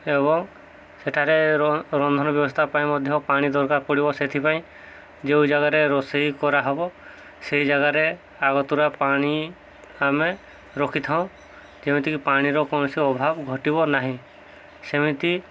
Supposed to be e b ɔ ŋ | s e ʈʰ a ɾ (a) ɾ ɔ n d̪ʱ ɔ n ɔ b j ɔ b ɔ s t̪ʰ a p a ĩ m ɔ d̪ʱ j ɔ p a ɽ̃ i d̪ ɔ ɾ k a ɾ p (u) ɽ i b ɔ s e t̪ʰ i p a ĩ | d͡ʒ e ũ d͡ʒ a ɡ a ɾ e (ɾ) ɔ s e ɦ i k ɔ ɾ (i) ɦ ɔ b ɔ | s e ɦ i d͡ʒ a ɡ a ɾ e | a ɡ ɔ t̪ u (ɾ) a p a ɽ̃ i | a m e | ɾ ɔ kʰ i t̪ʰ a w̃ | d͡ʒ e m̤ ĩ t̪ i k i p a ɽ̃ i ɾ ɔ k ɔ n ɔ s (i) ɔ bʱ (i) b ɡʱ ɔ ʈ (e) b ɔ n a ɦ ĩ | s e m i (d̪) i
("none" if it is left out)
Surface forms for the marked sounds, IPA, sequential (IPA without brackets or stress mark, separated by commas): e, ɔ, ɾ, a, ɾ, i, a, i, t̪